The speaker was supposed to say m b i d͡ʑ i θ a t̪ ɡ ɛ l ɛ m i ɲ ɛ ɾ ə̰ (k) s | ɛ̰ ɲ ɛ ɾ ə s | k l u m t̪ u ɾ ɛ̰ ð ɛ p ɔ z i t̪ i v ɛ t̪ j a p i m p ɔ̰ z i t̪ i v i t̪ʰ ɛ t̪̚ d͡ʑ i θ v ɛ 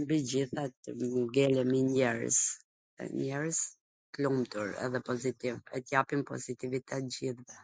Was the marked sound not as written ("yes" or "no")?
yes